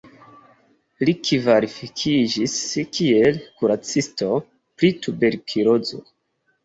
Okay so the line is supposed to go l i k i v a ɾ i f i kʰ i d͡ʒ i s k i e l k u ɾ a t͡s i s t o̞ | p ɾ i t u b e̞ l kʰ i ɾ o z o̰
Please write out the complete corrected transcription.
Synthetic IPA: l i k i v a ɾ i f i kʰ i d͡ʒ i s k i e l k u ɾ a t͡s i s t o̞ | p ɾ i t u b e̞ ɾ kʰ i ɾ o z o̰